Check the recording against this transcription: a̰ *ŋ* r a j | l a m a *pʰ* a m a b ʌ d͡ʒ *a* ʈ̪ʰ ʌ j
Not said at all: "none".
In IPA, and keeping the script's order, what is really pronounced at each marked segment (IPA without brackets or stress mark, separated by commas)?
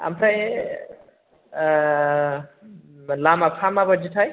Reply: m, pʰ, i